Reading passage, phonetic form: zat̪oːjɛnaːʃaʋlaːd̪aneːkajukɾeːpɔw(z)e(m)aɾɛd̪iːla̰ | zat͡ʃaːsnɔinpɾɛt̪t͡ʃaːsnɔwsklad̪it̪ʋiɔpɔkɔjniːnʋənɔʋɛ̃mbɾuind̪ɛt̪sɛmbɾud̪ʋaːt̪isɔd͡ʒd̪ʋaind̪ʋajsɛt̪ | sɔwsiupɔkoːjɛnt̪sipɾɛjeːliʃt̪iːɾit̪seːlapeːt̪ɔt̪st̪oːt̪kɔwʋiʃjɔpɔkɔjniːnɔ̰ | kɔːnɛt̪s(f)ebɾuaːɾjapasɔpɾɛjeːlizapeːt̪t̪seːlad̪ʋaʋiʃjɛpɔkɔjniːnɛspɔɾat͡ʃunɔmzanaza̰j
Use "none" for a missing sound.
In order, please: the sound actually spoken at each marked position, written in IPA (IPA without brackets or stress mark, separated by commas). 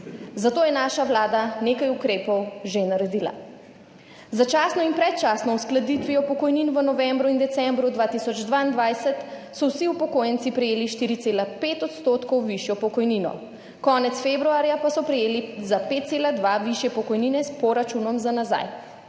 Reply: ʒ, n, f